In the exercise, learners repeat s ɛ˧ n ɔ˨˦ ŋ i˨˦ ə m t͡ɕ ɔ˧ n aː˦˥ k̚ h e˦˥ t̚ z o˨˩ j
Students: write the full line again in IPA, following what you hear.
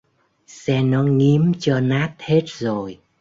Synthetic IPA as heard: s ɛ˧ n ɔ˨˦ ŋ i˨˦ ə m t͡ɕ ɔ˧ n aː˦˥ t̚ h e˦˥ t̚ z o˨˩ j